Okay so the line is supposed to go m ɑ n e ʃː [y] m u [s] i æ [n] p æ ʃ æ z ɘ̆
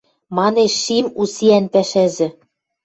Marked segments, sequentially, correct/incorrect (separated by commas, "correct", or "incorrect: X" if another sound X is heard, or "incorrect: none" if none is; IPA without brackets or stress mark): incorrect: i, correct, correct